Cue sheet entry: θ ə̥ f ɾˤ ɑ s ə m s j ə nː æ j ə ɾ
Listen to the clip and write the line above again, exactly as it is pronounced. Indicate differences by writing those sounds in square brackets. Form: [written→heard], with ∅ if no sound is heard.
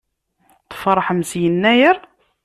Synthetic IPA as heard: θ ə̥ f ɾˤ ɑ [s→ħ] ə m s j ə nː æ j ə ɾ